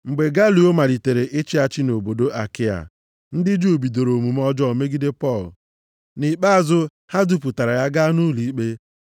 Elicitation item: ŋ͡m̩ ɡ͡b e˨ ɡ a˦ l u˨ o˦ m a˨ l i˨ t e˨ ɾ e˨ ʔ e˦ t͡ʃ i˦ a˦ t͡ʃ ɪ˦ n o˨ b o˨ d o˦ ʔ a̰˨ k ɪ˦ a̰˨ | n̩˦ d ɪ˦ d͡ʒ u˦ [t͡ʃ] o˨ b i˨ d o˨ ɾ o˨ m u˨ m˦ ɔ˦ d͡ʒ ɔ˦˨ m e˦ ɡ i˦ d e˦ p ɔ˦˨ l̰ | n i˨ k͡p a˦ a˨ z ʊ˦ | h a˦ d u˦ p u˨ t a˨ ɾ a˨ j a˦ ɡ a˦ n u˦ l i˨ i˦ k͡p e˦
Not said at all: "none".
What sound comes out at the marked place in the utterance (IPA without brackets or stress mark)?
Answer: none